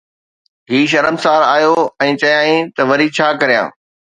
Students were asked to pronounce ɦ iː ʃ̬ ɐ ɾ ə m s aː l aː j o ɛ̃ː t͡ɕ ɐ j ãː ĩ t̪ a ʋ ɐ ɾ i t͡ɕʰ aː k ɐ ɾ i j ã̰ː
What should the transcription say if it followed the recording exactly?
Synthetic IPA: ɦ iː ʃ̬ ɐ ɾ ə m s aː ɾ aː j o ɛ̃ː t͡ɕ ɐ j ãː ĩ t̪ ɐ ʋ ɐ ɾ i t͡ɕʰ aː k ɐ ɾ i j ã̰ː

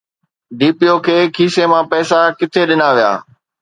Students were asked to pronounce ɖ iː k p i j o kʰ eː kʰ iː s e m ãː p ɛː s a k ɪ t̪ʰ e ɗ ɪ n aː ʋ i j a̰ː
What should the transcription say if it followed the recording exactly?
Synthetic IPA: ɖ iː p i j o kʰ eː kʰ iː s e m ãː p ɛː s a k ɪ t̪ʰ e ɗ ɪ n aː ʋ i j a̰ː

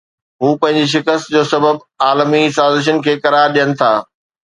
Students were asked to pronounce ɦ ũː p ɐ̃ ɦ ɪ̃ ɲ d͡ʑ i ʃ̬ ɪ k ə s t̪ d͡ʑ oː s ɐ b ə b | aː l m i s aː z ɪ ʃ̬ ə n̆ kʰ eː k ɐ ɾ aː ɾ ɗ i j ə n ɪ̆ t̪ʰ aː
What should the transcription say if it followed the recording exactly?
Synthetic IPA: ɦ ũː p ɐ̃ ɦ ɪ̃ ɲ d͡ʑ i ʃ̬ ɪ k ə s t̪ d͡ʑ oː s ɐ b ə b | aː l m i s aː z ɪ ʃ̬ ə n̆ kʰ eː k ɐ ɾ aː ɾ ɗ i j ə n ɪ̆ t̪ʰ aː

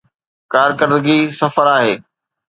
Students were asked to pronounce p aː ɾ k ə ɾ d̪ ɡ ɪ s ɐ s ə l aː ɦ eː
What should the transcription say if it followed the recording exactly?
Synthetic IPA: k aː ɾ k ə ɾ d̪ ɡ i s ɐ f ə ɾ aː ɦ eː

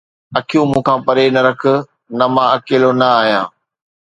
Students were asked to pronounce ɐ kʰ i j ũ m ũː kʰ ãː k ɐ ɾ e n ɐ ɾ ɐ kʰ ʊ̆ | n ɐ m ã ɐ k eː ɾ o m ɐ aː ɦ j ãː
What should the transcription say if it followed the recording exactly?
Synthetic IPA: ɐ kʰ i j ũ m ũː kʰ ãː p ɐ ɾ e n ɐ ɾ ɐ kʰ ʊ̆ | n ɐ m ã ɐ k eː l o n ɐ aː ɦ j ãː

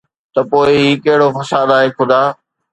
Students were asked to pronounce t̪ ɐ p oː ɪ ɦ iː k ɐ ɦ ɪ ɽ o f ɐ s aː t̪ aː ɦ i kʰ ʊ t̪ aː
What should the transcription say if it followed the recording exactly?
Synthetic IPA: t̪ ɐ p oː ɪ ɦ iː k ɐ ɦ ɪ ɽ o f ɐ s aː d̪ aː ɦ e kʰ ʊ d̪ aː

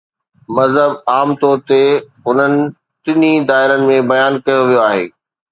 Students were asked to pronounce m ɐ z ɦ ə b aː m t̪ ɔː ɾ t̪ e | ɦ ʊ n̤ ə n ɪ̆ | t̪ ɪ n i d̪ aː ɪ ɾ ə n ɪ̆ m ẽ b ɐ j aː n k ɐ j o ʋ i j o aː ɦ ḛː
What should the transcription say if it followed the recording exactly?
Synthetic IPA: m ɐ z ɦ ə b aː m t̪ ɔː ɾ t̪ e | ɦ ʊ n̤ ə n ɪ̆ | t̪ ɪ n i d̪ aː ɪ ɾ ə n ɪ̆ m ẽ b ɐ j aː n k ɐ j o ʋ i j o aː ɦ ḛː

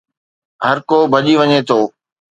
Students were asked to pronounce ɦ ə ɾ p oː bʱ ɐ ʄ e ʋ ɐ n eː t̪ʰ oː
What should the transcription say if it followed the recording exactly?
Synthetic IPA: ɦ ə ɾ k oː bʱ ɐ ʄ i ʋ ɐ ɲ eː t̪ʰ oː

